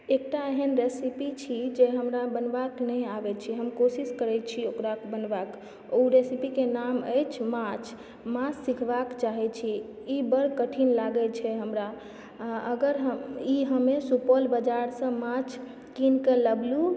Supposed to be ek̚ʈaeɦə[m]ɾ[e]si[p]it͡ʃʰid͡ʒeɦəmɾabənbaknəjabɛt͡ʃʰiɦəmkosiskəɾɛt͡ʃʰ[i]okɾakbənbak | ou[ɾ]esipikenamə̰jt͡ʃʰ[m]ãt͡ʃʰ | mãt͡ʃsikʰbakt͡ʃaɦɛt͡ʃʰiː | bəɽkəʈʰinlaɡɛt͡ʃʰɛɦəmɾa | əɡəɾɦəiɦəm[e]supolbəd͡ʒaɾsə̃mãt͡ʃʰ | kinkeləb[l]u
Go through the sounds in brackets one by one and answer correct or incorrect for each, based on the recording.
incorrect: n, correct, correct, correct, correct, correct, correct, correct

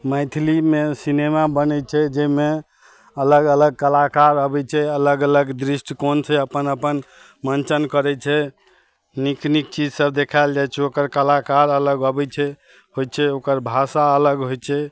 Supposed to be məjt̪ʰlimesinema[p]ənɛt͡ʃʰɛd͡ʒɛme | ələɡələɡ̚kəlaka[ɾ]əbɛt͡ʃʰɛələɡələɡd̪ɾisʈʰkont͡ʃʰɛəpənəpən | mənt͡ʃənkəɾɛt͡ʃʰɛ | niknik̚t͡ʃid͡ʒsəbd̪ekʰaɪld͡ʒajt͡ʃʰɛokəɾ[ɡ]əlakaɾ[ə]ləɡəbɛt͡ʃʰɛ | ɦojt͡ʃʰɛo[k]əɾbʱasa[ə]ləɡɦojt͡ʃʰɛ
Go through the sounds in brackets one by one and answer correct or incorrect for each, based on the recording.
incorrect: b, correct, incorrect: k, correct, correct, correct

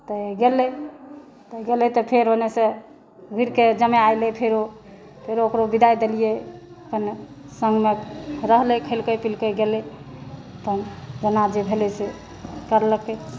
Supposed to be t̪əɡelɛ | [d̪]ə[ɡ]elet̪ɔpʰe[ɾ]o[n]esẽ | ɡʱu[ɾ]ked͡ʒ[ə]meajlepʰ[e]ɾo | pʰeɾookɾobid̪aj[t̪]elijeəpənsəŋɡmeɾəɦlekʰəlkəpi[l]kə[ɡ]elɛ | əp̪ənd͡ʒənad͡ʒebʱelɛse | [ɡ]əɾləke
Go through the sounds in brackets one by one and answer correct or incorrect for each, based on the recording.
incorrect: t̪, correct, correct, correct, correct, correct, correct, incorrect: d̪, correct, correct, incorrect: k

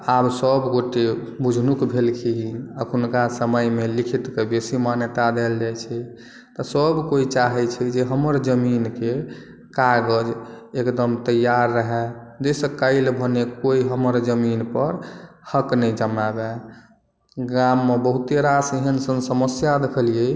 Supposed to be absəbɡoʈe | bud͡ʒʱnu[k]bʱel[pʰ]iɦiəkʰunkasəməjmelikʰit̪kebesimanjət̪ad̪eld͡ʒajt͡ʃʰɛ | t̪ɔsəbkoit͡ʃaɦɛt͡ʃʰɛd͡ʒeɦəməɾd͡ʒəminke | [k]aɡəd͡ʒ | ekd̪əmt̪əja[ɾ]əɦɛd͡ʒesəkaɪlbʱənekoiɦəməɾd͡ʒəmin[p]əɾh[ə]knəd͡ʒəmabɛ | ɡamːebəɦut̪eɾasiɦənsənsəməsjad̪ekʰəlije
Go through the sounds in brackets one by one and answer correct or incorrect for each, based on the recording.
correct, incorrect: kʰ, correct, incorrect: ɾː, correct, correct

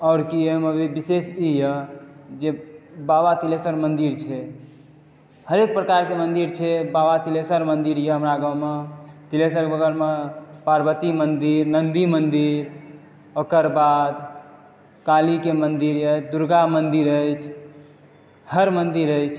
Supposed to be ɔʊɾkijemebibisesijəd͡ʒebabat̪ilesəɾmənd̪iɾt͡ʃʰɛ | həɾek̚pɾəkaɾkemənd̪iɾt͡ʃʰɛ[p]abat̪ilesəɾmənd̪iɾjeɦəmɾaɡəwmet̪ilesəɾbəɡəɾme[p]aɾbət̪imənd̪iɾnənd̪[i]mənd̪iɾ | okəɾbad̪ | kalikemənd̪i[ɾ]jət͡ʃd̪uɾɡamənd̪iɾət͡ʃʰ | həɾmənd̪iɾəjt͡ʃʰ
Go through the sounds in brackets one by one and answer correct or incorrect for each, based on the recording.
incorrect: b, correct, correct, correct

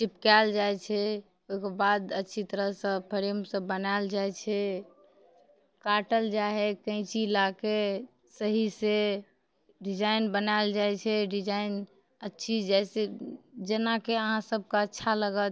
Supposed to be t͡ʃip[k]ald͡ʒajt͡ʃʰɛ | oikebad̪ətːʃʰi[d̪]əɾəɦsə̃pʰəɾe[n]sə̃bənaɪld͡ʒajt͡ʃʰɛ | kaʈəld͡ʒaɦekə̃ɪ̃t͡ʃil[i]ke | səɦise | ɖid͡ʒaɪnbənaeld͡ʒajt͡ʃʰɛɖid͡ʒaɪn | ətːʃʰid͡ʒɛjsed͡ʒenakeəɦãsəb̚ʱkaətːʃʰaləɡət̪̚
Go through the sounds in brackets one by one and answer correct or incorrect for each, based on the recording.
correct, incorrect: t̪, incorrect: m, incorrect: a

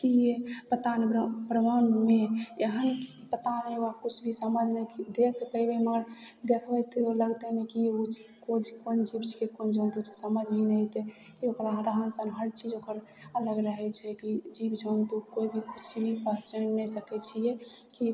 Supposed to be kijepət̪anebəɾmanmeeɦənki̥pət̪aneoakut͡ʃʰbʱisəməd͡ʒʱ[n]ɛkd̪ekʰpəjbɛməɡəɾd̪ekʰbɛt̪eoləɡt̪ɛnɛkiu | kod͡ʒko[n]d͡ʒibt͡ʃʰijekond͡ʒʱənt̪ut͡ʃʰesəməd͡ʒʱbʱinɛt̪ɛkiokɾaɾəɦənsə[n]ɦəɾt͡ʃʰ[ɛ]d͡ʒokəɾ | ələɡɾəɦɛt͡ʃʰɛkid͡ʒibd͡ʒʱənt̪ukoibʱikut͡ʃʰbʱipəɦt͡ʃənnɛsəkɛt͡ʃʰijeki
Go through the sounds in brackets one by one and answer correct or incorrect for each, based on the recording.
correct, correct, correct, incorrect: i

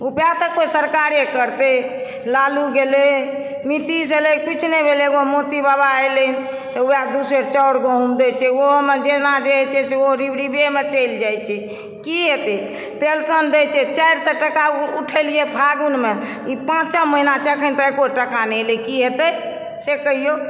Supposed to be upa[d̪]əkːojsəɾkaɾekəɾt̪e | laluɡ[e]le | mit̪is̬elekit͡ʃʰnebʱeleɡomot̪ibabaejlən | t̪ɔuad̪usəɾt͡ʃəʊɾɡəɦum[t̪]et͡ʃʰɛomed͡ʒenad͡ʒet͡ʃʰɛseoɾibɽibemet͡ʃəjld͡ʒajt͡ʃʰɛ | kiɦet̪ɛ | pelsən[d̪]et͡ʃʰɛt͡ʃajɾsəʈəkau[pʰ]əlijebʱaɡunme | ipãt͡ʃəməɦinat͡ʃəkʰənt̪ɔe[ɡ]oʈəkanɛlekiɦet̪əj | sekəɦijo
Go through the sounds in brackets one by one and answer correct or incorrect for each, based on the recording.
incorrect: t̪, correct, incorrect: d̪, correct, incorrect: ʈʰ, incorrect: k

